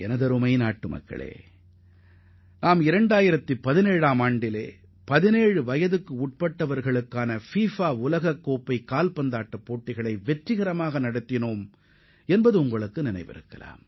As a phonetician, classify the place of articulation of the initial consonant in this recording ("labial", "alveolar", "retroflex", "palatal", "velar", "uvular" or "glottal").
alveolar